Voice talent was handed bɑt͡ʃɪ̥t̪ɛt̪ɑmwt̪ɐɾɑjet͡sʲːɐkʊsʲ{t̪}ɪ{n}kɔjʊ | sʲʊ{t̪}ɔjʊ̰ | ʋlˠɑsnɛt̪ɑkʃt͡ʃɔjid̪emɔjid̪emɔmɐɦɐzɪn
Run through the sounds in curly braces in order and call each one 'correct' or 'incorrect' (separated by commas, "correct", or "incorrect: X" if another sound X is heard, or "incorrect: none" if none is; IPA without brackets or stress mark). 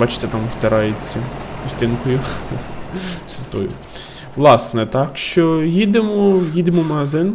correct, correct, correct